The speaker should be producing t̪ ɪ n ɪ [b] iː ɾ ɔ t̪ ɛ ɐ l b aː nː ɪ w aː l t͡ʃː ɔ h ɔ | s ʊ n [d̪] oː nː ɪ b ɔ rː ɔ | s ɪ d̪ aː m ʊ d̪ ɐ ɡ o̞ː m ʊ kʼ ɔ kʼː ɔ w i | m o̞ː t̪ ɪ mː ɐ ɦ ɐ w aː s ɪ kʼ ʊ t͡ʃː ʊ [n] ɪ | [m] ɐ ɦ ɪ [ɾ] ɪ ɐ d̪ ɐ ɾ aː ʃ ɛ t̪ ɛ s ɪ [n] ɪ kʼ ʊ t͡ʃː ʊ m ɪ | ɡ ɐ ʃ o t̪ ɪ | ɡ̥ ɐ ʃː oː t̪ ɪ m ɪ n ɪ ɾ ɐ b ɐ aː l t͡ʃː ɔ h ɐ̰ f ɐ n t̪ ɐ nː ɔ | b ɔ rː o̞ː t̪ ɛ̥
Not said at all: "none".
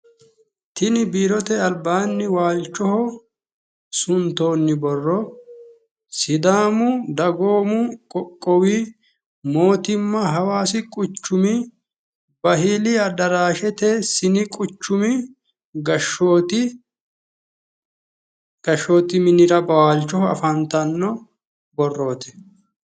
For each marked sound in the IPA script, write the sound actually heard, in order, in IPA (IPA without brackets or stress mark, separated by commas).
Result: b, t̪, m, b, l, n